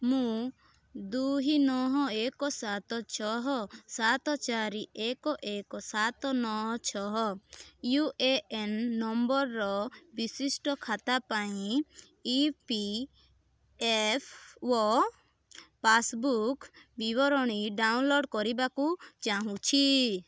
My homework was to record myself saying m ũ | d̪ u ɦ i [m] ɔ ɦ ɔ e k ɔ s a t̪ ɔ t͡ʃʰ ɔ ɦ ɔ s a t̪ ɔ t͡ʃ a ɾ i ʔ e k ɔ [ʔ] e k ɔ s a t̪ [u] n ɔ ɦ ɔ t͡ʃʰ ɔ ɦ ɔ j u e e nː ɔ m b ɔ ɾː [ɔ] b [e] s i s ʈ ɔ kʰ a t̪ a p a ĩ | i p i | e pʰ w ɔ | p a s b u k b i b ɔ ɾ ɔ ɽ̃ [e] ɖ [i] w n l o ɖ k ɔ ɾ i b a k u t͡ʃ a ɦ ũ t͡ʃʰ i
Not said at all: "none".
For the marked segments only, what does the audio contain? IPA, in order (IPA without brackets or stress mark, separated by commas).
n, ʔ, ɔ, ɔ, i, i, a